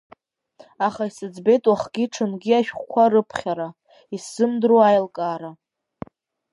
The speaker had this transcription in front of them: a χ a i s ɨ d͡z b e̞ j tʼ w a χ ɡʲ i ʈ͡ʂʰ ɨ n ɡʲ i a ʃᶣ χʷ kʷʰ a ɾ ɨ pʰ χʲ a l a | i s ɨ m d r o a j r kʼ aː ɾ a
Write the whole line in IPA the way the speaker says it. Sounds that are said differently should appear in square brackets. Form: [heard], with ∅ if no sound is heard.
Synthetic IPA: a χ a i s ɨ d͡z b e̞ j tʼ w a χ ɡʲ i ʈ͡ʂʰ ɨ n ɡʲ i a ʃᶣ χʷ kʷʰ a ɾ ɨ pʰ χʲ a [ɾ] a | i s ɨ m d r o a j [l] kʼ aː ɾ a